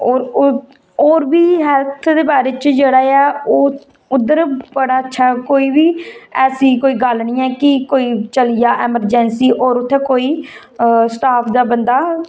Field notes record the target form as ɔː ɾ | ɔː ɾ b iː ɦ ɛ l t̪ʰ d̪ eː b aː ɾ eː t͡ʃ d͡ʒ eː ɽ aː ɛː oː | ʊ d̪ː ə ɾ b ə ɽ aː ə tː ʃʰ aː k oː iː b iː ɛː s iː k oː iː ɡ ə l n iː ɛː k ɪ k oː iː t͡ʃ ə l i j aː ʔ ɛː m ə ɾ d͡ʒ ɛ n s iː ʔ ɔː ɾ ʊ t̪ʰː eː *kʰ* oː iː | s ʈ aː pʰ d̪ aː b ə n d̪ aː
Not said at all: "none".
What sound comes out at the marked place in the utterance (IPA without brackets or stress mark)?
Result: k